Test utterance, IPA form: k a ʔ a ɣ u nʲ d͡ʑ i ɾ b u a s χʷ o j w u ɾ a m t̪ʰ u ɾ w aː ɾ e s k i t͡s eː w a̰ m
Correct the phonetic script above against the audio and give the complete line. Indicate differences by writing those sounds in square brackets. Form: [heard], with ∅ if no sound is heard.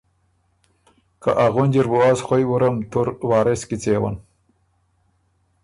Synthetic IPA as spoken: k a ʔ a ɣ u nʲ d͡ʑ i ɾ b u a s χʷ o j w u ɾ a m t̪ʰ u ɾ w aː ɾ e s k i t͡s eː w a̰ [n]